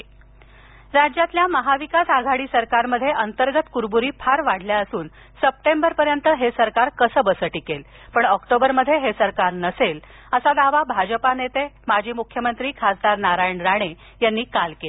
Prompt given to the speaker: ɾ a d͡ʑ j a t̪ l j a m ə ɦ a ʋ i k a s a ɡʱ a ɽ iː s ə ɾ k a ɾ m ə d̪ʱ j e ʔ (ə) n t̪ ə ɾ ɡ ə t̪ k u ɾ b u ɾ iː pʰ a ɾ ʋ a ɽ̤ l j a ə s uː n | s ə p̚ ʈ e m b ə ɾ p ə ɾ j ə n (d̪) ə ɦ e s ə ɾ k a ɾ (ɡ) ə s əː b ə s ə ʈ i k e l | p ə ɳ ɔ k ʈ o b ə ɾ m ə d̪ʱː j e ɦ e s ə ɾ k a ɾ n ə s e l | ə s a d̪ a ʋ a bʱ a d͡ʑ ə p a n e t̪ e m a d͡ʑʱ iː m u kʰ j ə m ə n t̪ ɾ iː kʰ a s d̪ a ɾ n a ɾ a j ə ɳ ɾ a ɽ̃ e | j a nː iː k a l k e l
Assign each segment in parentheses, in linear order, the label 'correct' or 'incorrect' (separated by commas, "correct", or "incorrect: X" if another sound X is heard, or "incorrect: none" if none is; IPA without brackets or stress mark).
correct, incorrect: t̪, incorrect: k